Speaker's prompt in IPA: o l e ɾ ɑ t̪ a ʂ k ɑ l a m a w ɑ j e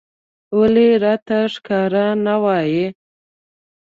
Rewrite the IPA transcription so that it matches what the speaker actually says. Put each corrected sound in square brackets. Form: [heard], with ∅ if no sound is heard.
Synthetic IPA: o l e ɾ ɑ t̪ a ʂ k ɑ [ɾ] a [n] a w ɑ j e